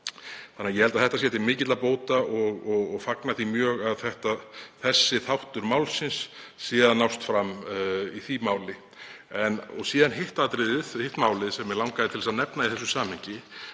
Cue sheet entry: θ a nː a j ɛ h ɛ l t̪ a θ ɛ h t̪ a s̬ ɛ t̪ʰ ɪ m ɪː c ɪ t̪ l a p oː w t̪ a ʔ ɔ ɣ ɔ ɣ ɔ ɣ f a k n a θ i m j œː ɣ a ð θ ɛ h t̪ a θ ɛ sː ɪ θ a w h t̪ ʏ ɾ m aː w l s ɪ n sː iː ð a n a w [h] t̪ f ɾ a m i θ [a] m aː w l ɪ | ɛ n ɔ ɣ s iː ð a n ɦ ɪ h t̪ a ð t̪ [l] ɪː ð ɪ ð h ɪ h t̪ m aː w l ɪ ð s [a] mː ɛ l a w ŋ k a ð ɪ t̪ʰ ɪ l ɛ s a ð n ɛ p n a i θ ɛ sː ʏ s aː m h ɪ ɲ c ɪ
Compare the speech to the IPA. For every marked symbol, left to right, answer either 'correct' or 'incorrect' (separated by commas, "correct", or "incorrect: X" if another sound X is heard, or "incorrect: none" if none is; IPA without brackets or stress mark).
incorrect: s, incorrect: i, incorrect: ɾ, incorrect: ɛ